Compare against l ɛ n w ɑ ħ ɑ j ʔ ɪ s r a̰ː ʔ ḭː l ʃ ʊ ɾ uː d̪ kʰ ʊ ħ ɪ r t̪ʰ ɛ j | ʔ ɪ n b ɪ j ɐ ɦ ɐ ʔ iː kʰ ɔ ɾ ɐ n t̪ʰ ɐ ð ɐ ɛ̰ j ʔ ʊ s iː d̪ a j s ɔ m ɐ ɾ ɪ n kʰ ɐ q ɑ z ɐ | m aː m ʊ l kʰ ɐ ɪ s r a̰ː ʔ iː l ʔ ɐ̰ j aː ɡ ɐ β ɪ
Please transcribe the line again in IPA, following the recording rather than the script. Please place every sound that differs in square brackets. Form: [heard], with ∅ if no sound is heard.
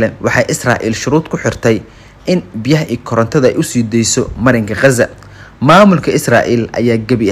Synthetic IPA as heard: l ɛ n w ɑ ħ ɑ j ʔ ɪ s r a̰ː ʔ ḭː l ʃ ʊ ɾ uː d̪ kʰ ʊ ħ ɪ r t̪ʰ ɛ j | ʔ ɪ n b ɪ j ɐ ɦ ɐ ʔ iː kʰ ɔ ɾ ɐ n t̪ʰ ɐ ð ɐ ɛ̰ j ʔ ʊ s iː d̪ [ɛ] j s ɔ m ɐ ɾ ɪ [ŋ] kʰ ɐ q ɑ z ɐ | m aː m ʊ l kʰ ɐ ɪ s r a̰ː ʔ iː l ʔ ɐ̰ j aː ɡ ɐ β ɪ